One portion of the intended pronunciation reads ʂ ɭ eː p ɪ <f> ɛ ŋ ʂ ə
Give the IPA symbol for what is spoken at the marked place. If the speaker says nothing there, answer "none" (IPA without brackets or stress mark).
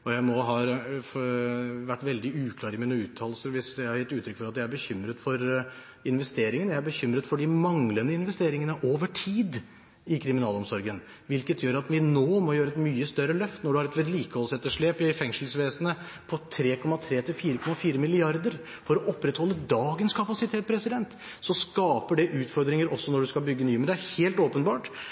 f